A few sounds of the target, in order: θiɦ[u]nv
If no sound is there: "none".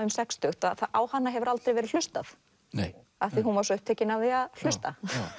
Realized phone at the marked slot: u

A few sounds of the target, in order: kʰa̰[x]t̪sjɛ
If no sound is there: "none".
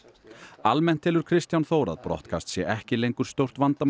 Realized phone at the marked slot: s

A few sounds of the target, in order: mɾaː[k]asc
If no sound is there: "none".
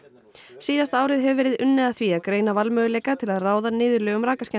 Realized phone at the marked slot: k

